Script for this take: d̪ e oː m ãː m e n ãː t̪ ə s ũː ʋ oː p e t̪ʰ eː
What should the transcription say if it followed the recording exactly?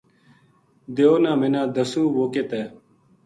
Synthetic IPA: d̪ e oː n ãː m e n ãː d̪ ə s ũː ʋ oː k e t̪ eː